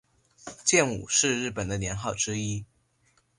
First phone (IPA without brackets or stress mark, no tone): t͡ɕ